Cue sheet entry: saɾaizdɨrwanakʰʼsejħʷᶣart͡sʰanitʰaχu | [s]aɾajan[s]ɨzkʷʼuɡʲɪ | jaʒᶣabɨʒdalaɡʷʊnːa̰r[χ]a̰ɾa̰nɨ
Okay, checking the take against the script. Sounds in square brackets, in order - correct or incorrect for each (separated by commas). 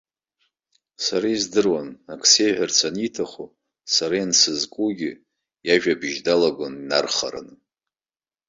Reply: correct, correct, correct